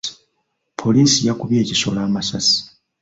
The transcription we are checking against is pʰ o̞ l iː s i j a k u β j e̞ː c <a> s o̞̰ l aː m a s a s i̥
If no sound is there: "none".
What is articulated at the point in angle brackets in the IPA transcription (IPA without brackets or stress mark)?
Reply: i